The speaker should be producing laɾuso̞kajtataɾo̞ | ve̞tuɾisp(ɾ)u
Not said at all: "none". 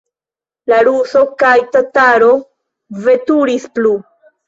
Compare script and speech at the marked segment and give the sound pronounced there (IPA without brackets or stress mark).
l